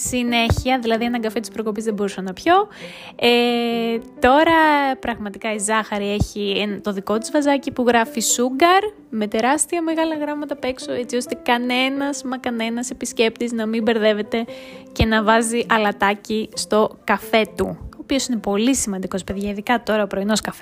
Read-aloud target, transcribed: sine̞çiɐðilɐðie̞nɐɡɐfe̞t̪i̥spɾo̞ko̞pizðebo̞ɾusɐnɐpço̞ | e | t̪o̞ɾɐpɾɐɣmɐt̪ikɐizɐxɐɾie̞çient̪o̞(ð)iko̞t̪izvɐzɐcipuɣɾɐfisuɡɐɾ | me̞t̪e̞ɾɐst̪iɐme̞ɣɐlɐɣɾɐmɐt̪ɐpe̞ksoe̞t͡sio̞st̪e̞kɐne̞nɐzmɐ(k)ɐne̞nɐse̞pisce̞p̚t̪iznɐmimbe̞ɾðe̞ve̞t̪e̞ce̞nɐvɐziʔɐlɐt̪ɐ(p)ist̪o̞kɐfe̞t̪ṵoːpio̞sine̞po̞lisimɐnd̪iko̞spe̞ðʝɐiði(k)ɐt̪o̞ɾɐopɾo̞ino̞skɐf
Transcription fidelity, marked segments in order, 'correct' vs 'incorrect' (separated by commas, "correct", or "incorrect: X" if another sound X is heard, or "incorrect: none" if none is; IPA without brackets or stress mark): correct, correct, incorrect: c, correct